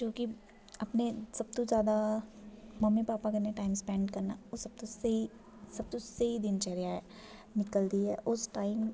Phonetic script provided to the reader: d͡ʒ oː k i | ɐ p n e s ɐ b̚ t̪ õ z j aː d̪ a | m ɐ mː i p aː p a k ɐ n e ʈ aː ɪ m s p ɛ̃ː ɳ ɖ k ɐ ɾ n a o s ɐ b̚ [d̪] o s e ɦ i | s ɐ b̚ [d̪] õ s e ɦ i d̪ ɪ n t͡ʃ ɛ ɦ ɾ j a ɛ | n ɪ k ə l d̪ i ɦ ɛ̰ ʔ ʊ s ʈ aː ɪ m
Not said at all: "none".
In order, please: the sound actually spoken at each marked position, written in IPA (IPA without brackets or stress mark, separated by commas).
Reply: t̪, t̪